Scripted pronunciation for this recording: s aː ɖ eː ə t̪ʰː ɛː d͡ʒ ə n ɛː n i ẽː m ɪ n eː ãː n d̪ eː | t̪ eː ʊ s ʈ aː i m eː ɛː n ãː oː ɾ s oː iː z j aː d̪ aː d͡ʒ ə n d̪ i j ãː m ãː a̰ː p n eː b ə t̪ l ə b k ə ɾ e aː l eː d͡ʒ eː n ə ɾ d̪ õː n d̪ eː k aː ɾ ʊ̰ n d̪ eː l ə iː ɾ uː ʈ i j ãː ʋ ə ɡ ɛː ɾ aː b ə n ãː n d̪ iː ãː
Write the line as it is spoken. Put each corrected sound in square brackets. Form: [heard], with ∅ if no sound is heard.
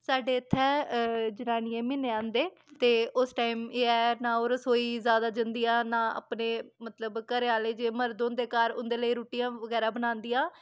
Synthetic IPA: s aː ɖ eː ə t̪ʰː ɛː d͡ʒ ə n [aː] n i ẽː m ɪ n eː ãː n d̪ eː | t̪ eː ʊ s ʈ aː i m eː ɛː n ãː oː ɾ s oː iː z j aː d̪ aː d͡ʒ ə n d̪ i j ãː [n] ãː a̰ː p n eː [m] ə t̪ l ə b k ə ɾ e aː l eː d͡ʒ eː [m] ə ɾ d̪ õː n d̪ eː k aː ɾ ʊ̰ n d̪ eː l ə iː ɾ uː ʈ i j ãː ʋ ə ɡ ɛː ɾ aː b ə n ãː n d̪ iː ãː